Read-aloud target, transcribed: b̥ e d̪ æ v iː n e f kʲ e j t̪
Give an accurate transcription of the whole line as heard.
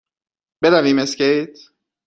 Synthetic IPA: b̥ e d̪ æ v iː m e s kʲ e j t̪